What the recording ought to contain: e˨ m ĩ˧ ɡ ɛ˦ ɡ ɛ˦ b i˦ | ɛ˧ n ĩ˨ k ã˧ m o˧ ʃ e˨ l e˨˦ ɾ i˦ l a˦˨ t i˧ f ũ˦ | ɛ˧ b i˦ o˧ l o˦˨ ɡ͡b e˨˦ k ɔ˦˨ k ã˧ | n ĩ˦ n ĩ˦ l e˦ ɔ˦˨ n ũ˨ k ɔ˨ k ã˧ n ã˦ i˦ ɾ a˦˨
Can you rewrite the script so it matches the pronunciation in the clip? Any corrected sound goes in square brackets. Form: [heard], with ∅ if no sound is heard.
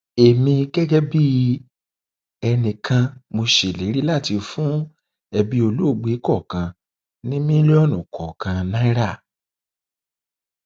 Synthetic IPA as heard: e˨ m ĩ˧ ɡ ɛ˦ ɡ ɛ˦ b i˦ | ɛ˧ n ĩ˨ k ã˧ m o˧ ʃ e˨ l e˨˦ ɾ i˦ l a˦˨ t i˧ f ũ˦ | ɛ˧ b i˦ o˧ l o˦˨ ɡ͡b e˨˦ k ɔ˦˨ k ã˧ | n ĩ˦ [m] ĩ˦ l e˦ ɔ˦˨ n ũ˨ k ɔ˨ k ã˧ n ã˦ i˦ ɾ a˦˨